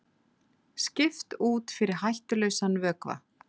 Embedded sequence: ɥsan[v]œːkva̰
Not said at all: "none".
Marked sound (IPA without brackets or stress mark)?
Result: v